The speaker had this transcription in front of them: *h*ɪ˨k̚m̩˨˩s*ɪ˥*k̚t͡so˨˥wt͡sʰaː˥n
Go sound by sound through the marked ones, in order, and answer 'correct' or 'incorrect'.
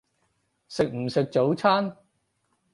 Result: incorrect: s, incorrect: ɪ˨

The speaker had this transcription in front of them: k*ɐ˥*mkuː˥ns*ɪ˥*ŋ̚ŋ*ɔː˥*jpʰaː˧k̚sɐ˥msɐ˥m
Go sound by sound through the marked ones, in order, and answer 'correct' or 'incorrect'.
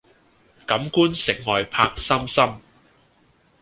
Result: incorrect: ɐ˨˥, incorrect: ɪ˨˩, incorrect: ɔː˨

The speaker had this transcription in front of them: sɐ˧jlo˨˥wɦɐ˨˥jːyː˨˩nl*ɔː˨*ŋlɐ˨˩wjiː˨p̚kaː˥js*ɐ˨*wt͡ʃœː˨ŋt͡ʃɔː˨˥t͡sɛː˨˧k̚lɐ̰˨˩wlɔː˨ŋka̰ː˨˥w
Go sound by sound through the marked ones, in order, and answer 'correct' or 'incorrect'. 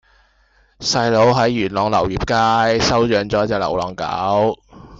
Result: correct, incorrect: ɐ˥

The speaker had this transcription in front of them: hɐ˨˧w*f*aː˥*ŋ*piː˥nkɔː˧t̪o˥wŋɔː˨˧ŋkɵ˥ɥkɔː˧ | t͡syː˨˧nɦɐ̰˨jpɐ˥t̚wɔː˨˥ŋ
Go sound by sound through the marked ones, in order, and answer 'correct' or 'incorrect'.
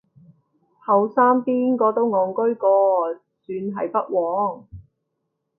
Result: incorrect: s, incorrect: m

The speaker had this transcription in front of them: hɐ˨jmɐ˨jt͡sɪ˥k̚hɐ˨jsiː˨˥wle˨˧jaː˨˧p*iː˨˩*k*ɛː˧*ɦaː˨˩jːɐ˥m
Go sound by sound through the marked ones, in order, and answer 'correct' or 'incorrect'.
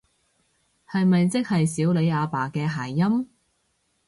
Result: incorrect: aː˨˩, correct

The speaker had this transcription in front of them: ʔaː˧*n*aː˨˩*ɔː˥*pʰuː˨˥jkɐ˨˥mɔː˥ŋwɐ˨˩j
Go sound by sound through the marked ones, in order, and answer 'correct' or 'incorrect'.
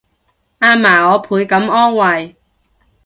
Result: incorrect: m, incorrect: ɔː˨˧

